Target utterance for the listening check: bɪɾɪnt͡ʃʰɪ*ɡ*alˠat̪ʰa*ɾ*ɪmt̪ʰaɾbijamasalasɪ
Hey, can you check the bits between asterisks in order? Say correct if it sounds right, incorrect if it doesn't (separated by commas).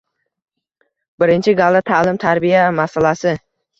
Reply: correct, incorrect